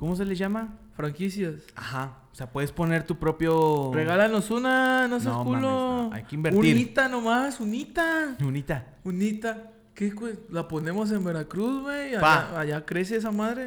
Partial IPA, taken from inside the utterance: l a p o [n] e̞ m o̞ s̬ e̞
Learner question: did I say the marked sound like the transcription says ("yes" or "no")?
yes